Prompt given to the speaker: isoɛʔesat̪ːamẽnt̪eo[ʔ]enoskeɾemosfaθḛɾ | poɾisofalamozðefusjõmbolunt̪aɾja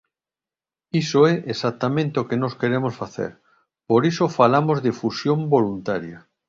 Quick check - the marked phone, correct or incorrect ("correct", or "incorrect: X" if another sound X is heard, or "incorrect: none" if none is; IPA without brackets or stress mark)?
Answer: incorrect: k